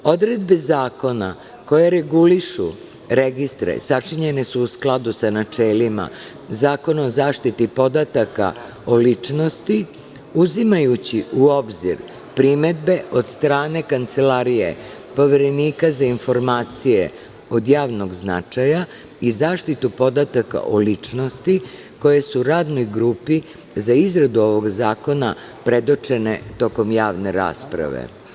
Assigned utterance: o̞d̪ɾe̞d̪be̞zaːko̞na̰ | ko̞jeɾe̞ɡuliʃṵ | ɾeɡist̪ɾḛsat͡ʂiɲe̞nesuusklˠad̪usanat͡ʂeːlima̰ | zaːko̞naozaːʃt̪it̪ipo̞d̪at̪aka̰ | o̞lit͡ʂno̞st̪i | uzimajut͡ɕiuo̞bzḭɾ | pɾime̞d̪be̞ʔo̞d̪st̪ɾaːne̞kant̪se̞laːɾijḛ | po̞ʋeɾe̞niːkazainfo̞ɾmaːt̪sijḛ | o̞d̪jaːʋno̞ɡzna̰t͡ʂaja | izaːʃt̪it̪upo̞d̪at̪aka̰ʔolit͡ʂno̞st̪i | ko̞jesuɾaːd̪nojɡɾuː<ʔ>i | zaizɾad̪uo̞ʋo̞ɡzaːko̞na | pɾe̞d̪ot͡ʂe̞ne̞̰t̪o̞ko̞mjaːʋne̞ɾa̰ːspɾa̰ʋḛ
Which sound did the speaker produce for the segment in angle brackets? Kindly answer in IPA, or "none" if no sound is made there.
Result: p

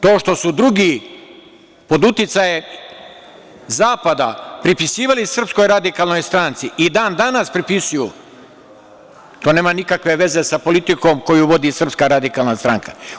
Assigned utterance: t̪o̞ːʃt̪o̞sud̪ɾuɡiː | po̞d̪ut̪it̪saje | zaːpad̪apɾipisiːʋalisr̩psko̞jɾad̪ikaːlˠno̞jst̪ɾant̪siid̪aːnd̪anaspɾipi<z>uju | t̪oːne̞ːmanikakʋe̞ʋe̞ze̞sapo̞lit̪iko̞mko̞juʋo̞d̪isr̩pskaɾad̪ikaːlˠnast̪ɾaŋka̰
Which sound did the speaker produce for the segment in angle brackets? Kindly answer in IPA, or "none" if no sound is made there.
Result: s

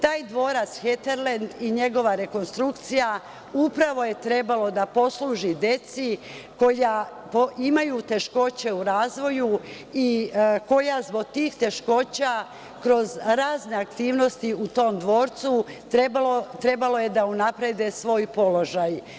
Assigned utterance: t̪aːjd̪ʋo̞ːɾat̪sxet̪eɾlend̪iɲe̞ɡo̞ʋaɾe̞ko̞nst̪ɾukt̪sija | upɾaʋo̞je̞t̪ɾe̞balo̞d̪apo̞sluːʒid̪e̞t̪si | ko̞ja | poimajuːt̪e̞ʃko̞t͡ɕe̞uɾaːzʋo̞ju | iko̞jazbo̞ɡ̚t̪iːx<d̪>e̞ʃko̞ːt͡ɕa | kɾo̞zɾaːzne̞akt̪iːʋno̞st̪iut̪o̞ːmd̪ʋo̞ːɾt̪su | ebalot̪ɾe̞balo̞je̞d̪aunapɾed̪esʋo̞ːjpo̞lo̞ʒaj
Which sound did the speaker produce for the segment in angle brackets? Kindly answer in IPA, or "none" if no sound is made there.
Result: t̪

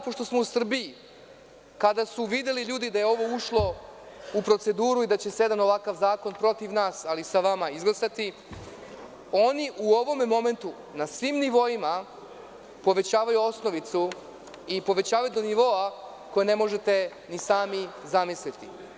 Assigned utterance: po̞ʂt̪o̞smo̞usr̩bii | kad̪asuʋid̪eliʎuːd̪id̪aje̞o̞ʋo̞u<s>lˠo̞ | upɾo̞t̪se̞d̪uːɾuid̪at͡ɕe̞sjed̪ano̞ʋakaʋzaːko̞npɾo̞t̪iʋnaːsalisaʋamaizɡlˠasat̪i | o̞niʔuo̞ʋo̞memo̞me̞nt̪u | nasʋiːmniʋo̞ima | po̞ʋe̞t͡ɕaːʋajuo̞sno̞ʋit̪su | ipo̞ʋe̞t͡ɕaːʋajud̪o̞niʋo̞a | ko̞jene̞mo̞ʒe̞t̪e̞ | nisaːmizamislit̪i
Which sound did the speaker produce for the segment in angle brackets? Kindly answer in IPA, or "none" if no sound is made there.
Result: ʃ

